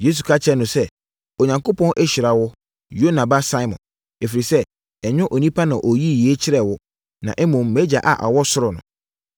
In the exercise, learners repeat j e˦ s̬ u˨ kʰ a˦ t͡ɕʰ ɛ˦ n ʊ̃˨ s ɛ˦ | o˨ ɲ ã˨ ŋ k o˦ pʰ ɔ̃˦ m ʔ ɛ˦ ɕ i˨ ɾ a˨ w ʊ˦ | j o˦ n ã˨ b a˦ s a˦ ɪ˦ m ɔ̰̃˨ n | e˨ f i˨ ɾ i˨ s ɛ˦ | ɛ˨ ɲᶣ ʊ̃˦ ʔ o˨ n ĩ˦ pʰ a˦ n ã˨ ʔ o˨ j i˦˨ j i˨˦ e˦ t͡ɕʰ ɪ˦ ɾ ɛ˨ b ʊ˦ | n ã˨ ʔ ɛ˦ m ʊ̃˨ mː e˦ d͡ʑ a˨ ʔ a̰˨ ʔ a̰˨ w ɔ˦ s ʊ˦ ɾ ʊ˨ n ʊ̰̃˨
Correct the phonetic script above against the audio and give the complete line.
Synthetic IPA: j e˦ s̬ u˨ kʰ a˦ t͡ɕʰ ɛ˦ n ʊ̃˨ s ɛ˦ | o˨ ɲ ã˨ ŋ k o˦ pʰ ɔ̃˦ n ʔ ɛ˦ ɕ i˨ ɾ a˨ w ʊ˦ | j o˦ n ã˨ b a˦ s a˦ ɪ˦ m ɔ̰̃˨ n | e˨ f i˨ ɾ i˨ s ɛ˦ | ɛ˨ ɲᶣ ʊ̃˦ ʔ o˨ n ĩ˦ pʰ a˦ n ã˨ ʔ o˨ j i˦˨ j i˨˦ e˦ t͡ɕʰ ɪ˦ ɾ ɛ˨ w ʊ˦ | n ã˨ ʔ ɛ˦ m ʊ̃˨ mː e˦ d͡ʑ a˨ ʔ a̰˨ ʔ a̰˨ w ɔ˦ s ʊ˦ ɾ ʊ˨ n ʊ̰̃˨